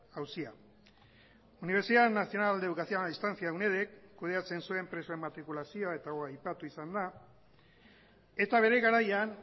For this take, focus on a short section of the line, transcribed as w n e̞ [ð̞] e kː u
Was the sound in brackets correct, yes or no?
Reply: yes